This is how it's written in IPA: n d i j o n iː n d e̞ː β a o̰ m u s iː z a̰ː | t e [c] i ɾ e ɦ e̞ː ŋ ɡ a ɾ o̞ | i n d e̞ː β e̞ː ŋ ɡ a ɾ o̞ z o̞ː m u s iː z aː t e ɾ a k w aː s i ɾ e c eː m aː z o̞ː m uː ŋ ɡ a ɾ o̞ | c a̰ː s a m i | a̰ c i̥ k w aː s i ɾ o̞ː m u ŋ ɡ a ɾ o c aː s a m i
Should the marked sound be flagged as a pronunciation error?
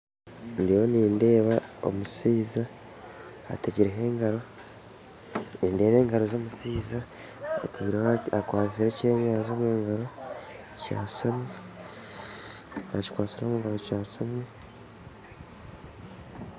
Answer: yes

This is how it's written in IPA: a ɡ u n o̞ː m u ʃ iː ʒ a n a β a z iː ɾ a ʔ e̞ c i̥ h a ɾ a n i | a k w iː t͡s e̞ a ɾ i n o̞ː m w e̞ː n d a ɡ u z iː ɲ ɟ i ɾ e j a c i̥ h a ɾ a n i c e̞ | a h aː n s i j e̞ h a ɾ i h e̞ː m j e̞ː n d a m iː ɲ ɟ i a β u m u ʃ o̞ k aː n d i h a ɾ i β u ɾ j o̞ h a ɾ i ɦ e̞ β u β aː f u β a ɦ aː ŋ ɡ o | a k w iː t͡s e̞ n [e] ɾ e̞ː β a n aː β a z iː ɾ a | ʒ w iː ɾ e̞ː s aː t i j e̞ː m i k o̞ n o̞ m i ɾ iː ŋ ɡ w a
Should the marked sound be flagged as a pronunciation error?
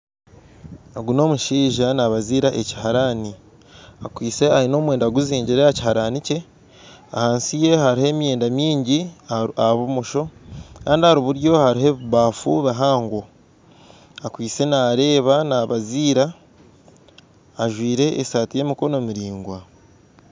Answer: yes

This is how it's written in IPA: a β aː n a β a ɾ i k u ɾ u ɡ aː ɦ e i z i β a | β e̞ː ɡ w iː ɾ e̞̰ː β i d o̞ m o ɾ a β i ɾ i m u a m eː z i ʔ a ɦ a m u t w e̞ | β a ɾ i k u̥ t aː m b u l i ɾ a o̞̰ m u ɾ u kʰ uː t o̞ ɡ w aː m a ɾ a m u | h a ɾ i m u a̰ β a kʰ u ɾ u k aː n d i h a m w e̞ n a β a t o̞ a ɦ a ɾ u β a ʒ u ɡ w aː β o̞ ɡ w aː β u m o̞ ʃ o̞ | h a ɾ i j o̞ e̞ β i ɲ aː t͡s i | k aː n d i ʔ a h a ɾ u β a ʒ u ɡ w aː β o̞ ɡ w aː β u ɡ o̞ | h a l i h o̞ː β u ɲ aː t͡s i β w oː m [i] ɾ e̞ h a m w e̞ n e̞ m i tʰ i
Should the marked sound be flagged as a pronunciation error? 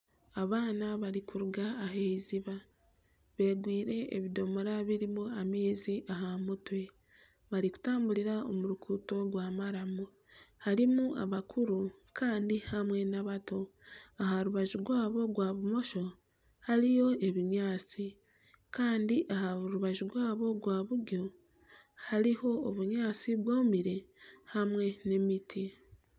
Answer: no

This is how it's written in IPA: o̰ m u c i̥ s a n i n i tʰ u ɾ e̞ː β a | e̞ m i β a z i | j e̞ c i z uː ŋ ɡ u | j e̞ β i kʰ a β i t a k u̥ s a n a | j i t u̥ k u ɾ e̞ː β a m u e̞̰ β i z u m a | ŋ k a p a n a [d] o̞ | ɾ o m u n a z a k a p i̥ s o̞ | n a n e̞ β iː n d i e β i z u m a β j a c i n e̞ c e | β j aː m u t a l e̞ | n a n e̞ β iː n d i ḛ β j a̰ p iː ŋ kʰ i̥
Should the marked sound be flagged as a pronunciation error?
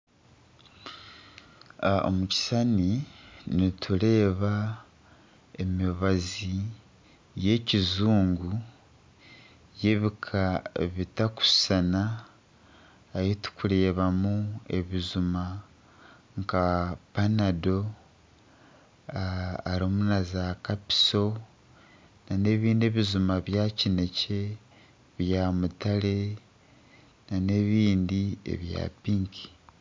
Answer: no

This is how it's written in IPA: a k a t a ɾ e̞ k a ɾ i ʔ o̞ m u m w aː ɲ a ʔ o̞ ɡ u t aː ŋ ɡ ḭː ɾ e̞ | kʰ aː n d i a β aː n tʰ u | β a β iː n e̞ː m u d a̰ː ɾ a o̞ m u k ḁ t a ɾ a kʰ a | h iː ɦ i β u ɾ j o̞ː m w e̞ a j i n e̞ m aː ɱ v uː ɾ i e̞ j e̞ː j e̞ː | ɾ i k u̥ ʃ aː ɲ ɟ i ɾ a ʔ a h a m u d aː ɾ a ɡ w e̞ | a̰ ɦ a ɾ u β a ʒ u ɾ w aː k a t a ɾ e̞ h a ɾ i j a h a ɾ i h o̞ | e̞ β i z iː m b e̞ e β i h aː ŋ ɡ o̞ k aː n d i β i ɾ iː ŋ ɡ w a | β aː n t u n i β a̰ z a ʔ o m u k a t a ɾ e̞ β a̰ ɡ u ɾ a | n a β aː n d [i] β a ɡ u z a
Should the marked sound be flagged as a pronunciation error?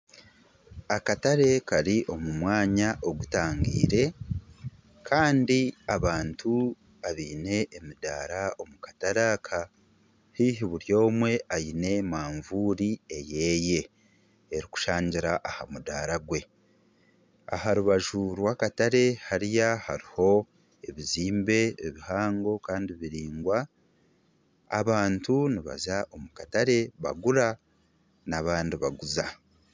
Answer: no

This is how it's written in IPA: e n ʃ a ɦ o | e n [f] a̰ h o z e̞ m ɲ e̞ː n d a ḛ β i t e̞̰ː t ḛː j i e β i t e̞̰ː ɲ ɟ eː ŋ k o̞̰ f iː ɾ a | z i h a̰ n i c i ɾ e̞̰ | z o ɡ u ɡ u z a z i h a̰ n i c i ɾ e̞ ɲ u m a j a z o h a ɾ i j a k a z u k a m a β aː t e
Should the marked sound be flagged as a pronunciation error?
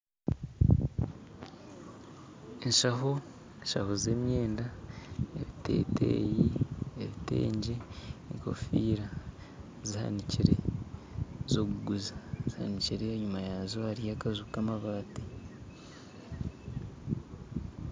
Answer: yes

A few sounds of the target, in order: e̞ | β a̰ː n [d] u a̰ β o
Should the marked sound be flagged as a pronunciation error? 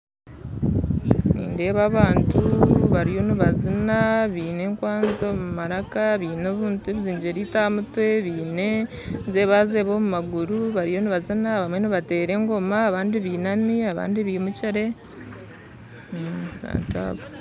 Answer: yes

